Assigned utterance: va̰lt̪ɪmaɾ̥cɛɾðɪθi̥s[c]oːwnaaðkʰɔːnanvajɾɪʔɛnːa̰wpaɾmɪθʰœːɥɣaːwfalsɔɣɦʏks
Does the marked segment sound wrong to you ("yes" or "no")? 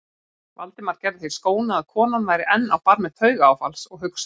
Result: yes